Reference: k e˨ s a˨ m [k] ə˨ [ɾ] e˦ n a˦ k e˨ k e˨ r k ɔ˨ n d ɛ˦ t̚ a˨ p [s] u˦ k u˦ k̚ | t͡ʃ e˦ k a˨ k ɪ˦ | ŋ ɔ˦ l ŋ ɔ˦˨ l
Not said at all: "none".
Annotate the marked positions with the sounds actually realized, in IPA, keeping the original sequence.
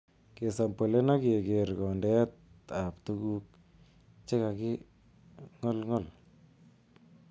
p, l, t

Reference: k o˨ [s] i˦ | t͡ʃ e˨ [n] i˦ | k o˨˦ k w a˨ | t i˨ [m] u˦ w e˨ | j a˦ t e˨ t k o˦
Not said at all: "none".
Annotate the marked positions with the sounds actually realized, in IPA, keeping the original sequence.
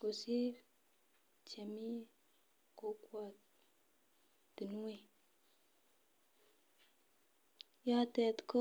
s, m, n

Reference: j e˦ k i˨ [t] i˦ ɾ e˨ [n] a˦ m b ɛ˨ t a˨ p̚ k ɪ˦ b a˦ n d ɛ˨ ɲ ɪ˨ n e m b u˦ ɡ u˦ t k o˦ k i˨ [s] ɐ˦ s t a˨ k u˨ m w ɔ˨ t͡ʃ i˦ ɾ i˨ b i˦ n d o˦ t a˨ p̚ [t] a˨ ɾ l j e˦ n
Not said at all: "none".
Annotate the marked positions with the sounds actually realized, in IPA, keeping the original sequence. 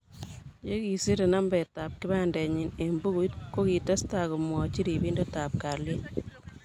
s, n, t, k

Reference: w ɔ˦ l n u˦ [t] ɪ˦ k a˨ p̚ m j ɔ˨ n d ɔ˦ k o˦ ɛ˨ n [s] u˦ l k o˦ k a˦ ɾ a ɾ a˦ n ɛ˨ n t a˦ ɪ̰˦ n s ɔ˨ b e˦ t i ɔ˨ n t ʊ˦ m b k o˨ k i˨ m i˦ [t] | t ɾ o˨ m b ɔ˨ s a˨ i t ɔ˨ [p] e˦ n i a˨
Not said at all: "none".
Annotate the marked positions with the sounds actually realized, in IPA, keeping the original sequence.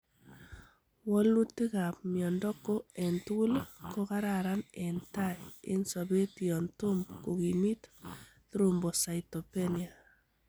t, t, t, p

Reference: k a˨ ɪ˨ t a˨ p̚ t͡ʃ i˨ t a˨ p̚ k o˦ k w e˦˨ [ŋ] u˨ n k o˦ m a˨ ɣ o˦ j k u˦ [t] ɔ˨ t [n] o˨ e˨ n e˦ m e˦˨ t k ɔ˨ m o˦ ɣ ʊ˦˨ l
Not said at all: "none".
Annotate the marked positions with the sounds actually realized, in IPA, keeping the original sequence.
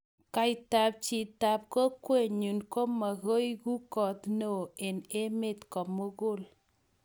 ɲ, k, n

